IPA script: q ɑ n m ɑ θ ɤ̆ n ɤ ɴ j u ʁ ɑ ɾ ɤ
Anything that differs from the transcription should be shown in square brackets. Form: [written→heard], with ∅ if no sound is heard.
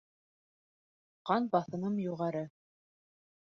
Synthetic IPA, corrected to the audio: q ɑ n [m→b] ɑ θ ɤ̆ n ɤ [ɴ→m] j u ʁ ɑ ɾ ɤ